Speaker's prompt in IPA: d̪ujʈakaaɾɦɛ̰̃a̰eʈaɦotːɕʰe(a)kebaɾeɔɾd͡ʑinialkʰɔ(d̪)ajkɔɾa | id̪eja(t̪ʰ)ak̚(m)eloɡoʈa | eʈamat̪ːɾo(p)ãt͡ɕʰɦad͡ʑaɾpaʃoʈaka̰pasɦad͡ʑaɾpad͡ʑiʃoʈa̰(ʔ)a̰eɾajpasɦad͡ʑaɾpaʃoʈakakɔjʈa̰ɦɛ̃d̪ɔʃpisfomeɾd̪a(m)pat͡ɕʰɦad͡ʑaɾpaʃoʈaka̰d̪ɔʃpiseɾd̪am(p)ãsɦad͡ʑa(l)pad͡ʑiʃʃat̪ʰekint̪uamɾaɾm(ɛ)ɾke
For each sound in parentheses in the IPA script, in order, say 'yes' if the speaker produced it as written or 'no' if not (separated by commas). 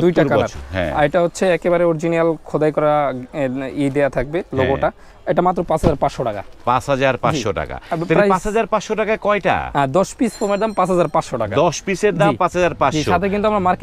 no, yes, yes, no, yes, no, yes, yes, no, no